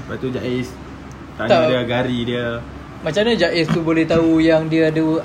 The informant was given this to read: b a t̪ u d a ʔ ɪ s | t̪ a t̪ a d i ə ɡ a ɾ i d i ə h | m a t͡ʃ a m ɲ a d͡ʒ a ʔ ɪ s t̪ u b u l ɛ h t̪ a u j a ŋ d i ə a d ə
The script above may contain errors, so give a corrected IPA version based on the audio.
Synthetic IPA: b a t̪ u d͡ʒ a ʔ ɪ s | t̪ a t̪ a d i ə ɡ a ɾ i d i ə | m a t͡ʃ a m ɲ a d͡ʒ a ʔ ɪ s t̪ u b o l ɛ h t̪ a u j a ŋ d i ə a d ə